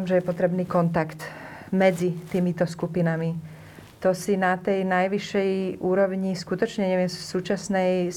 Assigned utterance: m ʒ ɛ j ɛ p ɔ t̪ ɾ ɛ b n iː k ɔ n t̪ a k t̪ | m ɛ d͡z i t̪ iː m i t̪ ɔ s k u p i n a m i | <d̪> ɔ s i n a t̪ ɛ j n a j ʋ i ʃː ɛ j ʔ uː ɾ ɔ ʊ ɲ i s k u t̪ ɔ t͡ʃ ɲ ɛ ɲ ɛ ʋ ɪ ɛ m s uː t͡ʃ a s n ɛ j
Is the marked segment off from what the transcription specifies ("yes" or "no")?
yes